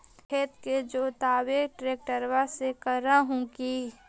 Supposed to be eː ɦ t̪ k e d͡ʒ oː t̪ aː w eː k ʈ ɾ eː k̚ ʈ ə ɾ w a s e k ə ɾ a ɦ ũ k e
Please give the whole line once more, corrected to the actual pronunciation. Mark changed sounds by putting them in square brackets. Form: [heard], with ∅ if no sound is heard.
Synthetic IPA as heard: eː [∅] t̪ k e d͡ʒ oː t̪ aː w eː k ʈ ɾ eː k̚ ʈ ə ɾ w a s e k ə ɾ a ɦ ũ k [i]

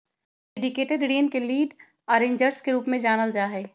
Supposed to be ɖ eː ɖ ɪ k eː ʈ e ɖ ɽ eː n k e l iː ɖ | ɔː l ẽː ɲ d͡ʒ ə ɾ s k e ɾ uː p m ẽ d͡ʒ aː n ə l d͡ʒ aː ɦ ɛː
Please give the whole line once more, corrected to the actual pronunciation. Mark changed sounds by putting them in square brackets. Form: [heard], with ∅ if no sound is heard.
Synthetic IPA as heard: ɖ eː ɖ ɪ k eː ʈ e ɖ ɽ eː n k e l iː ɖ | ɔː [ɾ] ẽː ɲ d͡ʒ ə ɾ s k e ɾ uː p m ẽ d͡ʒ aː n ə l d͡ʒ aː ɦ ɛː

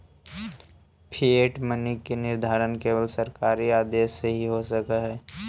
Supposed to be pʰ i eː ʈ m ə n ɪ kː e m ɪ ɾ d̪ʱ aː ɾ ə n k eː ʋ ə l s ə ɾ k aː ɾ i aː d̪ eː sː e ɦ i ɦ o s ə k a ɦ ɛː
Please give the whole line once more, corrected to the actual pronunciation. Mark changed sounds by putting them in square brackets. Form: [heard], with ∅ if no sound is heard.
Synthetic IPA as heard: pʰ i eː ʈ m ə n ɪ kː e [n] ɪ ɾ d̪ʱ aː ɾ ə n k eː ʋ ə l s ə ɾ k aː ɾ i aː d̪ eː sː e ɦ i ɦ o s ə k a ɦ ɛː

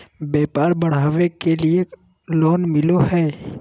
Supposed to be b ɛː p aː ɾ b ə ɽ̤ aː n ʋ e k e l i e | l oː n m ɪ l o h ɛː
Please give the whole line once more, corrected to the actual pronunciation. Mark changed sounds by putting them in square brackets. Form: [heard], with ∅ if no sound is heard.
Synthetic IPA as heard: b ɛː p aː ɾ b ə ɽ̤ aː [∅] ʋ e k e l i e | l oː n m ɪ l o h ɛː

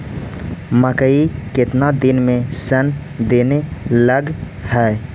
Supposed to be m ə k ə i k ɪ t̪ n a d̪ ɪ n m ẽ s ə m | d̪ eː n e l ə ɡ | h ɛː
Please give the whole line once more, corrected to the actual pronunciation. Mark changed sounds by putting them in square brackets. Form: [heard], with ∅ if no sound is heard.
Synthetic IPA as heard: m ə k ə i k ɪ t̪ n a d̪ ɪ n m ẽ s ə [n] | d̪ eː n e l ə ɡ | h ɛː

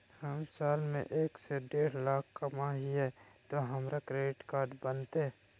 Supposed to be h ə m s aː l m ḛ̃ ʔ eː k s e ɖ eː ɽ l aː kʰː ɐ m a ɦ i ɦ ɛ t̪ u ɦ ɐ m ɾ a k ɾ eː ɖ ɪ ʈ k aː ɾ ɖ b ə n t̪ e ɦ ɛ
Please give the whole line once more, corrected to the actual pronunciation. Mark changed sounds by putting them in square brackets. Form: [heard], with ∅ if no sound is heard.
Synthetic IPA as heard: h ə m s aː l m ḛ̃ ʔ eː k s e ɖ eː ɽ l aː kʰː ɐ m a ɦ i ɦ ɛ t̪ [o] ɦ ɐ m ɾ a k ɾ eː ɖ ɪ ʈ k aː ɾ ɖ b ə n t̪ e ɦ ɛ

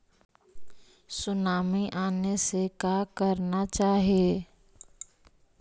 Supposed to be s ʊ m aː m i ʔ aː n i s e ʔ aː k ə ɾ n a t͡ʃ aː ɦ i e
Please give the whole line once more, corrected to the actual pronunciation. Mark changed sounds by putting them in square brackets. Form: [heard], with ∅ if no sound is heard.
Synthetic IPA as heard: s ʊ [n] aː m i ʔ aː n [e] s e [k] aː k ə ɾ n a t͡ʃ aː ɦ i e

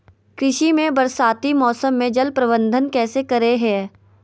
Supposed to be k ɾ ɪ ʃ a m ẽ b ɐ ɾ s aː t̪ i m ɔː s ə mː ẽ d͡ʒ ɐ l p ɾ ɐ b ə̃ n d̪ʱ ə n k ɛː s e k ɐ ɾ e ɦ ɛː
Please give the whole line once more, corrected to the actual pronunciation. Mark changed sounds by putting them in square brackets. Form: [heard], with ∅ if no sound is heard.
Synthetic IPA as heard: k ɾ ɪ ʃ [i] m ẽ b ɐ ɾ s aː t̪ i m ɔː s ə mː ẽ d͡ʒ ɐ l p ɾ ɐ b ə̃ n d̪ʱ ə n k ɛː s e k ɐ ɾ e ɦ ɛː

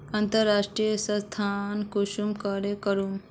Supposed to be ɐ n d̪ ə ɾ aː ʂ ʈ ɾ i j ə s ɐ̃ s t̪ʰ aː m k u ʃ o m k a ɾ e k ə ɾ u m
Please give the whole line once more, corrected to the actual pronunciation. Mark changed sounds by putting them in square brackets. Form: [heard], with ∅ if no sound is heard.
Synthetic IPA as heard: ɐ n [t̪] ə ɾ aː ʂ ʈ ɾ i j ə s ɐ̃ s t̪ʰ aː [n] k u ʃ [u] m k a ɾ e k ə ɾ u m

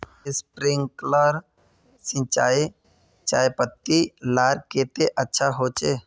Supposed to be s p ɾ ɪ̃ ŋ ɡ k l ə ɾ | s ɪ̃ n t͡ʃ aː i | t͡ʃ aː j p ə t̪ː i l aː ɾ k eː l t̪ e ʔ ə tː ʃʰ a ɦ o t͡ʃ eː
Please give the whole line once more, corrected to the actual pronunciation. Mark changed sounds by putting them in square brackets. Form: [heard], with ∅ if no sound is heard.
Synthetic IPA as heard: s p ɾ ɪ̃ ŋ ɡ k l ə ɾ | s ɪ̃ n t͡ʃ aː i | t͡ʃ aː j p ə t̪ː i l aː ɾ k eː [∅] t̪ e ʔ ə tː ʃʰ a ɦ o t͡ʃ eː

